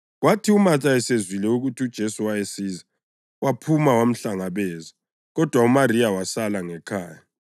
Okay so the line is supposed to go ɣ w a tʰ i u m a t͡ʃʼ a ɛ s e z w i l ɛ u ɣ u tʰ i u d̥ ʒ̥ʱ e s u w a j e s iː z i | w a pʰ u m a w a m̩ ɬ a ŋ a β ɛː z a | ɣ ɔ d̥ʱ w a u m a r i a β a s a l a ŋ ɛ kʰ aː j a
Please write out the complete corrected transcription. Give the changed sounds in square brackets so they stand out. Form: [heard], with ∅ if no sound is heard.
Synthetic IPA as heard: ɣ w a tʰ i u m a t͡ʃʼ a ɛ s e z w i l ɛ u ɣ u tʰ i u d̥ ʒ̥ʱ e s u w a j e s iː z [a] | w a pʰ u m a w a m̩ ɬ a ŋ a β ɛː z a | ɣ ɔ d̥ʱ w a u m a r i a [w] a s a l a ŋ ɛ kʰ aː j a